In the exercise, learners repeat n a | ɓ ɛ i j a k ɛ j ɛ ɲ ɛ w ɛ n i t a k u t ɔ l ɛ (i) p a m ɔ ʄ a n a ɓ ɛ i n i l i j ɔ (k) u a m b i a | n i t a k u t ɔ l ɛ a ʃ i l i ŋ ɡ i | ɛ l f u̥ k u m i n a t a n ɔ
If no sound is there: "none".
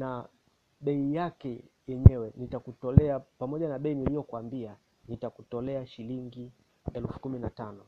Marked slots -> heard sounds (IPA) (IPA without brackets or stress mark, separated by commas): a, k